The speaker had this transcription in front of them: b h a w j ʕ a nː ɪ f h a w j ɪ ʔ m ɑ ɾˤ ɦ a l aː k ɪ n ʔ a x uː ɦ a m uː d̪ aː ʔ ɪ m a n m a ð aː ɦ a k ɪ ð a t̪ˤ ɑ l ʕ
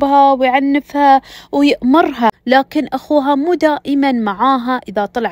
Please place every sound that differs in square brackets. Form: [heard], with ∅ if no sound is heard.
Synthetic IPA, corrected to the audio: b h a w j ʕ a nː ɪ f h a w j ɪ ʔ m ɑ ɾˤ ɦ a l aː k ɪ n ʔ a x uː ɦ a m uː d̪ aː ʔ ɪ m a n m a [ʕ] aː ɦ a [ʔ] ɪ ð a t̪ˤ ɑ l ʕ